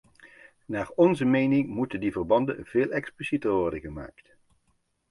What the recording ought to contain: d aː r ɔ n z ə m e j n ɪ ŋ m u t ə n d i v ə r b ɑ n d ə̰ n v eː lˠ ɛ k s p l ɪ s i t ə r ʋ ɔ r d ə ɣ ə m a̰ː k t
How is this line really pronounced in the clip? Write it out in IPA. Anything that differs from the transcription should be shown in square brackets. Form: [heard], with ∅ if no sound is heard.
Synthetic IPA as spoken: [n] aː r ɔ n z ə m e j n ɪ ŋ m u t ə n d i v ə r b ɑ n d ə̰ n v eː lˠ ɛ k s p l [i] s i t ə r ʋ ɔ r d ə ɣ ə m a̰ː k t